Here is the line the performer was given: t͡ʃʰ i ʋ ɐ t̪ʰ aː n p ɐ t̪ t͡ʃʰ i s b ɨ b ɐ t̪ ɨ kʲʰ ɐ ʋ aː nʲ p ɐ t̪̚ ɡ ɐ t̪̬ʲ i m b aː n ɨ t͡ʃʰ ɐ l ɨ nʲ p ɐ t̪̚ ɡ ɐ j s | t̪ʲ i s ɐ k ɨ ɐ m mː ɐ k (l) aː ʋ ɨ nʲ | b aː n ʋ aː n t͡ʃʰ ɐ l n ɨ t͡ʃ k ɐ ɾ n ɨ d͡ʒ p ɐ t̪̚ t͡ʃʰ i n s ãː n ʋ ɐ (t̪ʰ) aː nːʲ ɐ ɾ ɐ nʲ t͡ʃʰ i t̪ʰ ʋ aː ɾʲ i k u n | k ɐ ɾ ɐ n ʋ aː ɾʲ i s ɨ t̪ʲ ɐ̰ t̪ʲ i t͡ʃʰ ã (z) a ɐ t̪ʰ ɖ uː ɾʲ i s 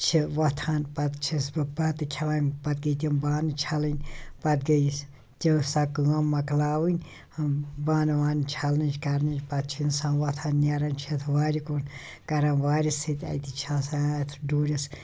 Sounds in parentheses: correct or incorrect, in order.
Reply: correct, correct, incorrect

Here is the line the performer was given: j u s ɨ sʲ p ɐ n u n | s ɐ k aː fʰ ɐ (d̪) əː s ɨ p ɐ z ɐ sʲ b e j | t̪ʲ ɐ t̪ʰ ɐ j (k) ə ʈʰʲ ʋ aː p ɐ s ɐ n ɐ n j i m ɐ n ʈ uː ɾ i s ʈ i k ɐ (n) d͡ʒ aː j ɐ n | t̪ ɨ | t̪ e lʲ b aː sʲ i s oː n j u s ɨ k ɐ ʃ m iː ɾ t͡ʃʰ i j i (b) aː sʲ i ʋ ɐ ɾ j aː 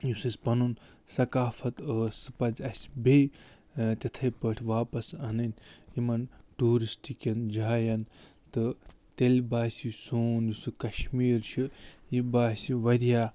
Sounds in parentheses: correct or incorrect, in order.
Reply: incorrect, incorrect, correct, correct

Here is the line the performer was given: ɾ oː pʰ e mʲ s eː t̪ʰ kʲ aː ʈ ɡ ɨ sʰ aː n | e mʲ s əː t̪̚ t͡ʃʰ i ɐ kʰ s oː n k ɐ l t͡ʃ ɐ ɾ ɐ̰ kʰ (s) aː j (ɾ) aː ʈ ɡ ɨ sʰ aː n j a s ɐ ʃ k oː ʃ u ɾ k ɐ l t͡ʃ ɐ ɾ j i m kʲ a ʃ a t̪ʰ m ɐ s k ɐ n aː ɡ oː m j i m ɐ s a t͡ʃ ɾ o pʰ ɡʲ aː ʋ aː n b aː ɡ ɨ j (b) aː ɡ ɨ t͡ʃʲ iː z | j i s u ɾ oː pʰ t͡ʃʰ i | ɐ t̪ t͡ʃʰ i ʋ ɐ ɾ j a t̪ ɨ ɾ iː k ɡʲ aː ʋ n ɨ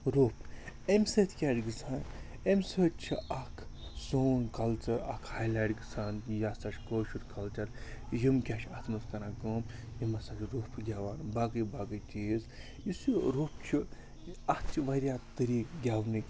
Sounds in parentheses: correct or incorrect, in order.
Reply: incorrect, incorrect, correct

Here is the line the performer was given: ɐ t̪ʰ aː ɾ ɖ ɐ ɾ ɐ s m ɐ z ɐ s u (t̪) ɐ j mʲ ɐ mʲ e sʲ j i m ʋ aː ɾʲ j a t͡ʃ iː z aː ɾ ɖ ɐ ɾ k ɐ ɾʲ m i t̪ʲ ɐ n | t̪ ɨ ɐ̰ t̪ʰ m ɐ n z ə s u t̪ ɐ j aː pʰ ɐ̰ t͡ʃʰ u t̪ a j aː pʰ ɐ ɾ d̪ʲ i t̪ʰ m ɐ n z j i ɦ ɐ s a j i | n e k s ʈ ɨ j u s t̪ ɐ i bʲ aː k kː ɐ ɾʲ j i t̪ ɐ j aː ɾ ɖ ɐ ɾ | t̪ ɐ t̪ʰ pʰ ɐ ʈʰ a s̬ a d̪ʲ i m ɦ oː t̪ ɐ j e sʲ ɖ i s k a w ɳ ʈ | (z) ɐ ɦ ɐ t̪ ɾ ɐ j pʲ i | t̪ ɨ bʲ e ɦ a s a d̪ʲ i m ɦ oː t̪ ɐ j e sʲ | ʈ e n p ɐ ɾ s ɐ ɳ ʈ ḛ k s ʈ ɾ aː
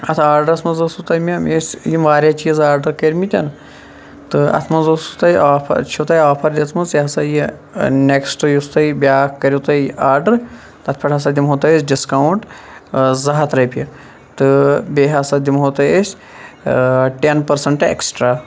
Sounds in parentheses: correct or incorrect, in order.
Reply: correct, correct

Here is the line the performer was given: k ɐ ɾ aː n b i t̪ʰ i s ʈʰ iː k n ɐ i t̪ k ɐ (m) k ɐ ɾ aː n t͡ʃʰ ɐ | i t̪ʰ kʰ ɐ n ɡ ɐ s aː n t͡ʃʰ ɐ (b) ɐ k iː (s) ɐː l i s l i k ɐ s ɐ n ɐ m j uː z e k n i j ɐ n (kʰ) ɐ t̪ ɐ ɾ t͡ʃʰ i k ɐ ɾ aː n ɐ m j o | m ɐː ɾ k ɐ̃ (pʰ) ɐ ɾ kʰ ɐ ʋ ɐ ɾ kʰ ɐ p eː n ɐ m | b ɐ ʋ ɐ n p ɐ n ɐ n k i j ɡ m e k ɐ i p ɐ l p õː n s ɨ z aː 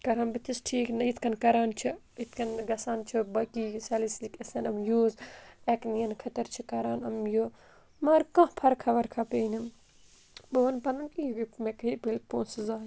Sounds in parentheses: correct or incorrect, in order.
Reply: incorrect, correct, correct, correct, correct

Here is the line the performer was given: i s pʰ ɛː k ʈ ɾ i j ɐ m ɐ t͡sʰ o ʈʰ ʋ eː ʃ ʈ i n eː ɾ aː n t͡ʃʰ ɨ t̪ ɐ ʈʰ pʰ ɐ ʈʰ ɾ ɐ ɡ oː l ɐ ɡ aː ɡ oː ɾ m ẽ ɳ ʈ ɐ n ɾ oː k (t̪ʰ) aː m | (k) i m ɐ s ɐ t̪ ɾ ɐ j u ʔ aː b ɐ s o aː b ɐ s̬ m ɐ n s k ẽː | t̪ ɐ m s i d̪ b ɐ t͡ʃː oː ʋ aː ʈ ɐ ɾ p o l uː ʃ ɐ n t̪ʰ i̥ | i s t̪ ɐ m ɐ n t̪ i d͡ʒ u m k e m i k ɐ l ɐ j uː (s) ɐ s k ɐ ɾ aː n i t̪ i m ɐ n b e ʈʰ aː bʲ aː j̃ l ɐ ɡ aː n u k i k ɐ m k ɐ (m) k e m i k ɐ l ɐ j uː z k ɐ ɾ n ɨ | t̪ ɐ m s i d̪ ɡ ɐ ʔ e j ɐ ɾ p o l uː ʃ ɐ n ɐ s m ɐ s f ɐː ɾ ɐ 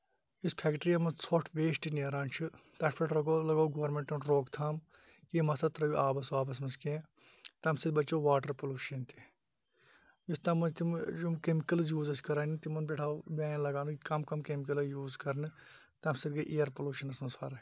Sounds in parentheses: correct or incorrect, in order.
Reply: correct, correct, incorrect, correct

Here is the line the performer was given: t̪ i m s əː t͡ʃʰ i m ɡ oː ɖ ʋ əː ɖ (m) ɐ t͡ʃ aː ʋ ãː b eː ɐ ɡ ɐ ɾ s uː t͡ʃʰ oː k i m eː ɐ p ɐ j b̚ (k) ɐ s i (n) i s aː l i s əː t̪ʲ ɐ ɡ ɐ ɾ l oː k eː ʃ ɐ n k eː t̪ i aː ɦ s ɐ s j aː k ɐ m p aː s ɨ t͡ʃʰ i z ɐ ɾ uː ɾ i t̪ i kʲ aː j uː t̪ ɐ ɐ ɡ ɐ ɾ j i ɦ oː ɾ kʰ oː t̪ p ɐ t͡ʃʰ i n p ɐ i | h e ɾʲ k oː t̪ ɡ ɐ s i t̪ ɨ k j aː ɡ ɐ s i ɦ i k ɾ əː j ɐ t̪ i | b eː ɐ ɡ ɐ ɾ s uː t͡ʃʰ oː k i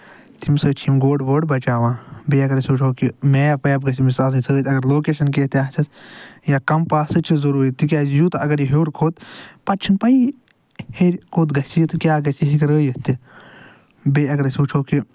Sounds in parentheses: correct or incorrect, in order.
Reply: incorrect, incorrect, incorrect

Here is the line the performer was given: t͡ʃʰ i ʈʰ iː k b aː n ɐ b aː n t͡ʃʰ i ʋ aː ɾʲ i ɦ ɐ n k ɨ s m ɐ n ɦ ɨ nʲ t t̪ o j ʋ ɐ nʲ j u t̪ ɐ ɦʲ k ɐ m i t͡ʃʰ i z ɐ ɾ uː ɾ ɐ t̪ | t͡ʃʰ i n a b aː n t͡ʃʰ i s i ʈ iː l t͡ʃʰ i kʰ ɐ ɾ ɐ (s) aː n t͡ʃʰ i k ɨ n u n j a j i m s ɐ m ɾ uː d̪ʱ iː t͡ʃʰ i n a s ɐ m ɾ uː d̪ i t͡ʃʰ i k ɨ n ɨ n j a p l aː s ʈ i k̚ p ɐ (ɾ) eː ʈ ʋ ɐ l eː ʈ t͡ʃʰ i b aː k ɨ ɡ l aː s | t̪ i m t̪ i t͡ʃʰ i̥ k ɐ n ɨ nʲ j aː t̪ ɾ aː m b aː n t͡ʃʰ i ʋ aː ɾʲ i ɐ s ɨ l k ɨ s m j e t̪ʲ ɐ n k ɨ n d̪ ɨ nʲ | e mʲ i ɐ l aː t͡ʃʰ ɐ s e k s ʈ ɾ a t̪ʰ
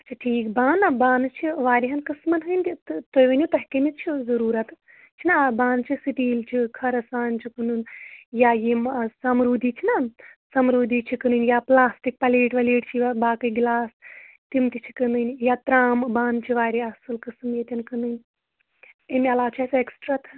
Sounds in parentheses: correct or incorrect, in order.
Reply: correct, incorrect

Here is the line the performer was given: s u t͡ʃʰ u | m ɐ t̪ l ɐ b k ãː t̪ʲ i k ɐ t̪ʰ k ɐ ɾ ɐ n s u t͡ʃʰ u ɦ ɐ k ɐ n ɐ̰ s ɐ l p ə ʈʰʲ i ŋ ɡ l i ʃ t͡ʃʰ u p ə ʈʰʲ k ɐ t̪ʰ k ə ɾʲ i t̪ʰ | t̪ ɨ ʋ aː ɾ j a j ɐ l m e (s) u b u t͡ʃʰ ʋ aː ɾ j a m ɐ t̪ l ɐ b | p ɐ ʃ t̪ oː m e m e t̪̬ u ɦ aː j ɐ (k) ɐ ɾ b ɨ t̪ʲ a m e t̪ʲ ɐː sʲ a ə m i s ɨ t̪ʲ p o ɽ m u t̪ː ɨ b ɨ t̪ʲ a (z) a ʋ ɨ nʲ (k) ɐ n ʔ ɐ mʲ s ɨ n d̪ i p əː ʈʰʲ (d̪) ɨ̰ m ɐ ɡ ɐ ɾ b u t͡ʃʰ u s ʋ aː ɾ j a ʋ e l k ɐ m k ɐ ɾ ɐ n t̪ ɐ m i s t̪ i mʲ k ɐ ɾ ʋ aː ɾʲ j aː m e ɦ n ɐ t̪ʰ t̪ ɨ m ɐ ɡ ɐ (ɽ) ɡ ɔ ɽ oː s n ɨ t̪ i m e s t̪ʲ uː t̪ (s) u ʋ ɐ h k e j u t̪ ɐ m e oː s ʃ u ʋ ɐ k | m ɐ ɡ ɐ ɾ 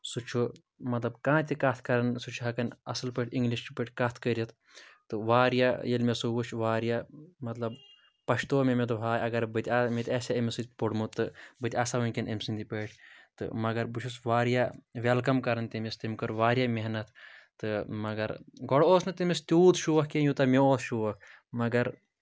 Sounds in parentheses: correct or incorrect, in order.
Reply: correct, incorrect, incorrect, correct, incorrect, incorrect, incorrect

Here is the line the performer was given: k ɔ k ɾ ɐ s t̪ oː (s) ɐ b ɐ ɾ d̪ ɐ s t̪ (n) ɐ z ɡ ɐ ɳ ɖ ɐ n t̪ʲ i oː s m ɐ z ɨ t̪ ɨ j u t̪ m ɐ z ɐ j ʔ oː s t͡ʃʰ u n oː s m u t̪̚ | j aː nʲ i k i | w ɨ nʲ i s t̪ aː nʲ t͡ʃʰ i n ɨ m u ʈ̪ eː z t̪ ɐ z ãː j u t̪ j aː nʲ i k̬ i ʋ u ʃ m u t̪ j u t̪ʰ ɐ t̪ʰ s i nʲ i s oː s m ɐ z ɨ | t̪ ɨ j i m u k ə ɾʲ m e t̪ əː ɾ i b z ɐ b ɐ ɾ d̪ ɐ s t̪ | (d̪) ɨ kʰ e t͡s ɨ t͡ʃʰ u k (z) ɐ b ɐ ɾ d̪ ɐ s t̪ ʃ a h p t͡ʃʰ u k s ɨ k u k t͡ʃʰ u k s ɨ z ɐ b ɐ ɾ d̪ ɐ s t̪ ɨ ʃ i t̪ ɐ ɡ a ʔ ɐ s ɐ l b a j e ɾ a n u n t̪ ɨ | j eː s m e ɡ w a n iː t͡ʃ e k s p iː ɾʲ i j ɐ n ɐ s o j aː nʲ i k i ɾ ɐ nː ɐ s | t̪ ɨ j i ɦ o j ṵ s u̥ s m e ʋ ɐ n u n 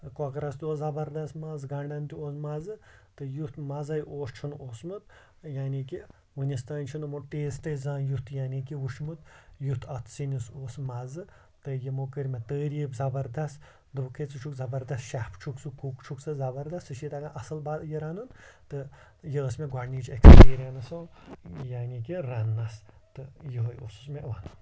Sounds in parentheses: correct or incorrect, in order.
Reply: incorrect, incorrect, correct, correct

